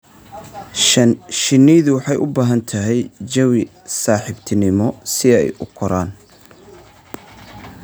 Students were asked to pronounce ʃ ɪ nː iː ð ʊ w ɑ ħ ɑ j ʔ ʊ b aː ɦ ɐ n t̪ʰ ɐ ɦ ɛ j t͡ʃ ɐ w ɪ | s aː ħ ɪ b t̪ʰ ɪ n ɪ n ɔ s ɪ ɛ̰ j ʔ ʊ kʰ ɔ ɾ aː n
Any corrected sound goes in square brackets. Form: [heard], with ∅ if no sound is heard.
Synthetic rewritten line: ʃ ɪ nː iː ð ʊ w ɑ ħ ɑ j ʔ ʊ b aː ɦ ɐ n t̪ʰ ɐ ɦ ɛ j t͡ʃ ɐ w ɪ | s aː ħ ɪ b t̪ʰ ɪ n ɪ [m] ɔ s ɪ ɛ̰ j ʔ ʊ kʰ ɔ ɾ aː n

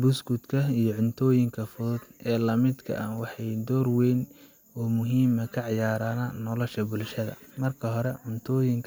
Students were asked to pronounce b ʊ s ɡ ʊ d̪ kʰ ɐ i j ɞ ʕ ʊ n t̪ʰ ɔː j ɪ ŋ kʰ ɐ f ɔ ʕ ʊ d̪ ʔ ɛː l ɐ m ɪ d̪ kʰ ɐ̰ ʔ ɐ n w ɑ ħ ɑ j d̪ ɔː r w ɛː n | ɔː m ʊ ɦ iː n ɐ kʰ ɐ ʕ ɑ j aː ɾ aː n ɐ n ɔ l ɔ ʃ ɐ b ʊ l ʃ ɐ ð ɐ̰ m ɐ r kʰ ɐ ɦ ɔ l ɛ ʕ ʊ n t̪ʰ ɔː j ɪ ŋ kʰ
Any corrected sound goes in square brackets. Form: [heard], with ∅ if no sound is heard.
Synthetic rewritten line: b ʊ s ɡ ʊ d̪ kʰ ɐ i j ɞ ʕ ʊ n t̪ʰ ɔː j ɪ ŋ kʰ ɐ f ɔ [ð] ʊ d̪ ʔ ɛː l ɐ m ɪ d̪ kʰ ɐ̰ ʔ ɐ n w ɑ ħ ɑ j d̪ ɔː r w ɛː n | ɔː m ʊ ɦ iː [m] ɐ kʰ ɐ ʕ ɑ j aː ɾ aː n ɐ n ɔ l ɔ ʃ ɐ b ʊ l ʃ ɐ ð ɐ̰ m ɐ r kʰ ɐ ɦ ɔ [ɾ] ɛ ʕ ʊ n t̪ʰ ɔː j ɪ ŋ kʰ

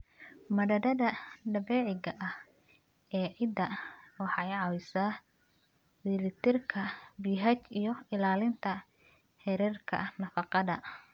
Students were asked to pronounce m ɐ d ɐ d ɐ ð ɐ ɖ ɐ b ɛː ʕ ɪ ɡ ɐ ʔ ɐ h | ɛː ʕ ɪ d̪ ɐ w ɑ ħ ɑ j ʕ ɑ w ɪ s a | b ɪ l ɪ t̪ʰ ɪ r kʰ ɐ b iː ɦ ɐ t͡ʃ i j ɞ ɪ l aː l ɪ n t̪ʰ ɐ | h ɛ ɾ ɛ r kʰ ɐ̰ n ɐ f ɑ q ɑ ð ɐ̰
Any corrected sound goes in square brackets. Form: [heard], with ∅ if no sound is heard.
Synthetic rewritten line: m ɐ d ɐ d ɐ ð ɐ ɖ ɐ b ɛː ʕ ɪ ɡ ɐ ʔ ɐ h | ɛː ʕ ɪ d̪ ɐ w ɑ ħ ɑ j ʕ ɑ w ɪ s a | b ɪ l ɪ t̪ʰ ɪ r kʰ ɐ b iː ɦ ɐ t͡ʃ i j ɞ ɪ l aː l ɪ n t̪ʰ ɐ | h ɛ ɾ ɛ r kʰ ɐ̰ n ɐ f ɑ q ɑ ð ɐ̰

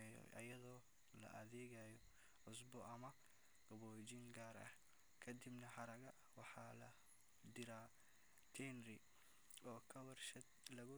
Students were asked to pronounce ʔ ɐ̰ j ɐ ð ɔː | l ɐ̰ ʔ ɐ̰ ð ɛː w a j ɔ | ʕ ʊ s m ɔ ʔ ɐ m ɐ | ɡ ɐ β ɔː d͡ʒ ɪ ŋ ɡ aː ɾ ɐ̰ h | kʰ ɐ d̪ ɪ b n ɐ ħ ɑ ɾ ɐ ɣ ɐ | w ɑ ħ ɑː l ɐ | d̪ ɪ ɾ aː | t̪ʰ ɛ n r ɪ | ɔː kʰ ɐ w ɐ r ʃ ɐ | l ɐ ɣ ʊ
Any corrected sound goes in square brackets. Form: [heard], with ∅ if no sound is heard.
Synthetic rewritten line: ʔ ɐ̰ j ɐ ð ɔː | l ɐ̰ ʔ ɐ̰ ð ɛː [ɣ] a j ɔ | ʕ ʊ s [b] ɔ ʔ ɐ m ɐ | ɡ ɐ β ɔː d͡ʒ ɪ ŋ ɡ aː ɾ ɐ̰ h | kʰ ɐ d̪ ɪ b n ɐ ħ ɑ ɾ ɐ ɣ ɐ | w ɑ ħ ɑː l ɐ | d̪ ɪ ɾ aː | t̪ʰ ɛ n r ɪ | ɔː kʰ ɐ w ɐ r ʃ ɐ | l ɐ ɣ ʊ

